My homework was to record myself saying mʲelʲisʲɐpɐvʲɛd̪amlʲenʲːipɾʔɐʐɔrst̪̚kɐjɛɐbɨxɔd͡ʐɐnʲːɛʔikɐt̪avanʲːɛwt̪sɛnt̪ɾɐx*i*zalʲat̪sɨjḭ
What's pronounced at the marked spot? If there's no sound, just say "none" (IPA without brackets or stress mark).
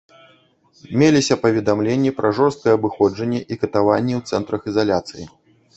i